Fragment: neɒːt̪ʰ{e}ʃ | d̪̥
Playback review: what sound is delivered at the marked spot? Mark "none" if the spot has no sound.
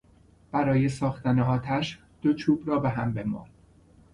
æ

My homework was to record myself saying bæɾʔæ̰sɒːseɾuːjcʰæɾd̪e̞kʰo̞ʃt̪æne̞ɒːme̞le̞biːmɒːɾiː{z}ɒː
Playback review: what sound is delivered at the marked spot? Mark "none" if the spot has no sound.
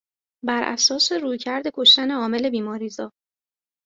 z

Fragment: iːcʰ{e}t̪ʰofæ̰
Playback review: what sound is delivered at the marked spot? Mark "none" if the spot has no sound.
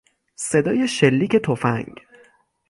e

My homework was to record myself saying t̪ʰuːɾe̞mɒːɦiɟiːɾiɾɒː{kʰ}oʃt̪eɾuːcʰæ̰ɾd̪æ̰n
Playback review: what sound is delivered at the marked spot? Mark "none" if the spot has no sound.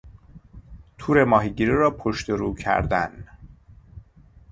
pʰ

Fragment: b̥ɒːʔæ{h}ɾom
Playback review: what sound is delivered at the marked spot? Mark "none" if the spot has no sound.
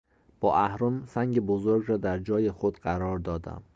h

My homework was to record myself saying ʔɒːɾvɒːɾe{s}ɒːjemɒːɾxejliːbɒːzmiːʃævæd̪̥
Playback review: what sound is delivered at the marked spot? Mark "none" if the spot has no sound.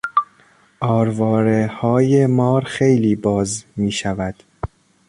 h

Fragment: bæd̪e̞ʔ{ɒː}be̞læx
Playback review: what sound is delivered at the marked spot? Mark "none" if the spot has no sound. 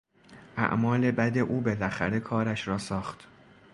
uː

